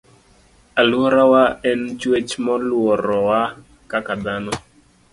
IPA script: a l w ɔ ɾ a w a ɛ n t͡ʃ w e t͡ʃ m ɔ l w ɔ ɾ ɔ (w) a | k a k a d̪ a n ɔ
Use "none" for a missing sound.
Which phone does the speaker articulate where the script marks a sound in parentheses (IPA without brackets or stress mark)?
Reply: w